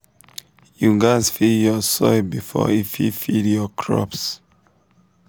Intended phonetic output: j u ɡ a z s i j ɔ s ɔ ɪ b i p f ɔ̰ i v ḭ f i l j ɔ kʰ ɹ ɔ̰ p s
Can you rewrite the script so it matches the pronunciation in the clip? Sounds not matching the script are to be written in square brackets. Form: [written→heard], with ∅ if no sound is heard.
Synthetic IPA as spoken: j u ɡ a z [s→f] i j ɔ s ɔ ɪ b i [p→∅] f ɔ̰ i [v→f] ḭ f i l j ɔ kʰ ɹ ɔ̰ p s

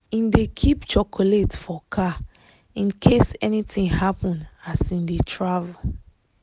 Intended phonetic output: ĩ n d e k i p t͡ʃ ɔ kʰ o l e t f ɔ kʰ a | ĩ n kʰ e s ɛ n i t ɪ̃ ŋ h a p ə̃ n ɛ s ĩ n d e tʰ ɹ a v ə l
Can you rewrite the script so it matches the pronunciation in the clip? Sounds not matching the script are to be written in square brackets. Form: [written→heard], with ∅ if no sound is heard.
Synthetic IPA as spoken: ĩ n d e [k→kʰ] i p t͡ʃ ɔ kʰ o l e t f ɔ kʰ a | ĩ n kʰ e s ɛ n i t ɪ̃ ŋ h a p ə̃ n [ɛ→a] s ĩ n d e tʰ ɹ a v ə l

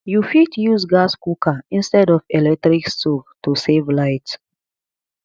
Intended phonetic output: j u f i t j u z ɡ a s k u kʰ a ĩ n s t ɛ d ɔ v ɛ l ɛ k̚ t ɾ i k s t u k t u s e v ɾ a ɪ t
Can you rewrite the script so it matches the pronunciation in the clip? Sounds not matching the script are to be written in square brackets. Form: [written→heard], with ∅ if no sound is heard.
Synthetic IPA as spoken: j u f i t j u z ɡ a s k u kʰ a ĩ n s t ɛ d ɔ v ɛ l ɛ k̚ t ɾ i k s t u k t u s e v [ɾ→l] a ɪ t

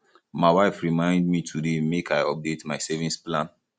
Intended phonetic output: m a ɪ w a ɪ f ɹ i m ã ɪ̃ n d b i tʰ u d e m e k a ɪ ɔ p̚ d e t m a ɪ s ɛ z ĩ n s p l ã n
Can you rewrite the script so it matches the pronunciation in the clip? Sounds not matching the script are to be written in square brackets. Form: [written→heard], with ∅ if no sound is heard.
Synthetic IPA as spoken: m a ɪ w a ɪ f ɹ i m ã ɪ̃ n d [b→m] i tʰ u d e m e k a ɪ ɔ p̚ d e t m a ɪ s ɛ [z→v] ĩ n s p l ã n

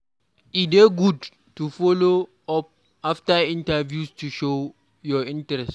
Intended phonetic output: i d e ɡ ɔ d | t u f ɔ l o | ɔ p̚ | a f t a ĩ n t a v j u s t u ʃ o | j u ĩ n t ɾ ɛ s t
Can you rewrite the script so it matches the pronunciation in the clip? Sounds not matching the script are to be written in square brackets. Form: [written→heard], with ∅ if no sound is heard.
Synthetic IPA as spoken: i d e ɡ [ɔ→u] d | t u f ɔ l o | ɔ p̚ | a f t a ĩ n t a v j u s t u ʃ o | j [u→ɔ] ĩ n t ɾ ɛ s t

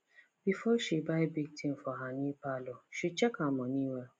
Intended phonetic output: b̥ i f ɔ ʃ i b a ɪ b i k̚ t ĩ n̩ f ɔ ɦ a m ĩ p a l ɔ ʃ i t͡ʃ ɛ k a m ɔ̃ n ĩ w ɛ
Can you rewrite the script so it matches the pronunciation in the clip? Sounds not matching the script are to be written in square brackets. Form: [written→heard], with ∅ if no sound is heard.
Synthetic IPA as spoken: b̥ i f ɔ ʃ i b a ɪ b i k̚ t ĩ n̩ f ɔ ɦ a [m→n] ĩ p a l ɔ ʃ i t͡ʃ ɛ k a m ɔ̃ n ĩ w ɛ

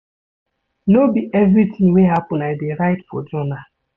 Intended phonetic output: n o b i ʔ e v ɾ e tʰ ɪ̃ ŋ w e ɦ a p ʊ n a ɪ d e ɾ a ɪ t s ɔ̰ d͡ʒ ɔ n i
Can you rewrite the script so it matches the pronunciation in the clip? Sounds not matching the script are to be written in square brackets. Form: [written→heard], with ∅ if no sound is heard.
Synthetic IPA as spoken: n o b i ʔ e v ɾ [e→i] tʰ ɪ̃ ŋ w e ɦ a p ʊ n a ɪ d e ɾ a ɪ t [s→f] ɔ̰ d͡ʒ ɔ n [i→a]

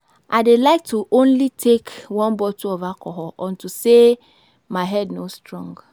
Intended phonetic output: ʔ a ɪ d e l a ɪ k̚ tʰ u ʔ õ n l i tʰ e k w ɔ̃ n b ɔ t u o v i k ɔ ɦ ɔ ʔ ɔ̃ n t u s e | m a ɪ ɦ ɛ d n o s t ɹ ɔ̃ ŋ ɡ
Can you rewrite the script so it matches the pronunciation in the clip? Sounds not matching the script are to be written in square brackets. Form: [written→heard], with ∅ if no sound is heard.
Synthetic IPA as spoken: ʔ a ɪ d e l a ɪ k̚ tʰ u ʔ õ n l i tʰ e k w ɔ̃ n b ɔ t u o v [i→a] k ɔ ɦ ɔ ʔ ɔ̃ n t u s e | m a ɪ ɦ ɛ d n o s t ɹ ɔ̃ ŋ ɡ

